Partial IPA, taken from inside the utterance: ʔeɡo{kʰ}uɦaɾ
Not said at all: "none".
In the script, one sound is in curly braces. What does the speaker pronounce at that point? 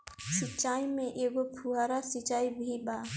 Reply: pʰ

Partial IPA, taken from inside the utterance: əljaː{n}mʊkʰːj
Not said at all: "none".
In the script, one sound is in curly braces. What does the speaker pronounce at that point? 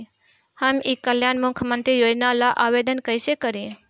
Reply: n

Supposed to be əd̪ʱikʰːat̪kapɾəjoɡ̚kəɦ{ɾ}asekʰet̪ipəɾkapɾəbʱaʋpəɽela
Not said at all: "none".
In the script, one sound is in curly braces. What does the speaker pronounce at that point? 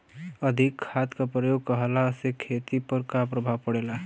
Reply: l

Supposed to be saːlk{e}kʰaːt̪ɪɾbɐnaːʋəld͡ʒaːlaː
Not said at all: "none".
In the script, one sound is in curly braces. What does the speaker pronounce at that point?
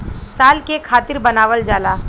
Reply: e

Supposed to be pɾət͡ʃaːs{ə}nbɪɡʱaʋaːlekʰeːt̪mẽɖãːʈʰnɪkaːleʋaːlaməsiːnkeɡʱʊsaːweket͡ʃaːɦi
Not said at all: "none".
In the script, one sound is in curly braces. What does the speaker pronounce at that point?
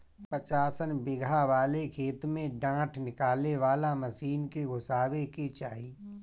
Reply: ə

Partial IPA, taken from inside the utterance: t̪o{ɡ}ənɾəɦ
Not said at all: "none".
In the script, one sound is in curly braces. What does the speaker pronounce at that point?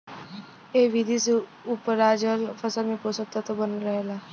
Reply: b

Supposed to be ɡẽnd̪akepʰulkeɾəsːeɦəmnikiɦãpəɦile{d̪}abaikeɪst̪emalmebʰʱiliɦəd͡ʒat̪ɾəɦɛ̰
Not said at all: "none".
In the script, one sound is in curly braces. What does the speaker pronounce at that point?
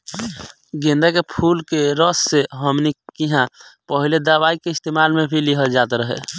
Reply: d̪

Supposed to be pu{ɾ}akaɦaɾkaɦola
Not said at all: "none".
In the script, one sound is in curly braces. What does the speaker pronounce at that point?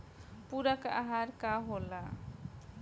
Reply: ɾ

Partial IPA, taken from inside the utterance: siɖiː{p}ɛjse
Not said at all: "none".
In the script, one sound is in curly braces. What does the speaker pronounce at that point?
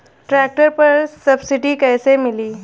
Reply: k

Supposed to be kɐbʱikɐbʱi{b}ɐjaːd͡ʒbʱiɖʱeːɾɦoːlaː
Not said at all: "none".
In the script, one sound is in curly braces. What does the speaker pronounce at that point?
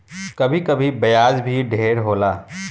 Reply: b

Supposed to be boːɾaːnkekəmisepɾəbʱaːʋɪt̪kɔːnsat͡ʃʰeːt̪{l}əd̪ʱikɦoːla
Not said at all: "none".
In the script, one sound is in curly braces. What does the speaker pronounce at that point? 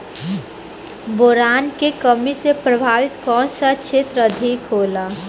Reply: ɾ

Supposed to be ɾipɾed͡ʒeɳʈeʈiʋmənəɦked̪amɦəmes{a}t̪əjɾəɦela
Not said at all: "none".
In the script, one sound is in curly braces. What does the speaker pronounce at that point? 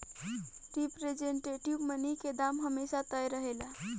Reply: a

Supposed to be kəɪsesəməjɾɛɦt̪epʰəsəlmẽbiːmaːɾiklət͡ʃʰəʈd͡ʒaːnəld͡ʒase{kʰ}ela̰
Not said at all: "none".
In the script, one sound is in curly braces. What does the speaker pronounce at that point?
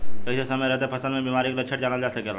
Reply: k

